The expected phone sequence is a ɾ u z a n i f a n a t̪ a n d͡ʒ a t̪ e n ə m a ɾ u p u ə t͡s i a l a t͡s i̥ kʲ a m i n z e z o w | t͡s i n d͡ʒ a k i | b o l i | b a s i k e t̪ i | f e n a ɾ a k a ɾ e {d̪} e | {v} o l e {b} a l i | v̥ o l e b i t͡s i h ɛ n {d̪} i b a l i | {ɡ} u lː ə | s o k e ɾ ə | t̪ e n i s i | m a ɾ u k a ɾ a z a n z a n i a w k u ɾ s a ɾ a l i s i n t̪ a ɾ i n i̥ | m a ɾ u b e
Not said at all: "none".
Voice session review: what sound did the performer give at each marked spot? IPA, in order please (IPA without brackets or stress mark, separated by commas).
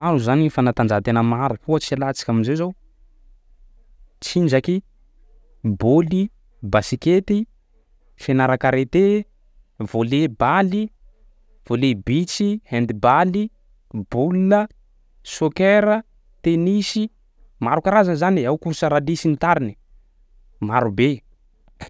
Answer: t̪, v, b, d̪, b